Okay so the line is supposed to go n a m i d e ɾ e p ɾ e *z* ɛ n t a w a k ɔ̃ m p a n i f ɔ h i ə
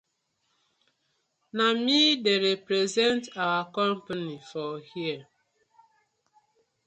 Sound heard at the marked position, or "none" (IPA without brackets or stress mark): z